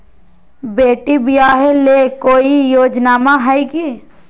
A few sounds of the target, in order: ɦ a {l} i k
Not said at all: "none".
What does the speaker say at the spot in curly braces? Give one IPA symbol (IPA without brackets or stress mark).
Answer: none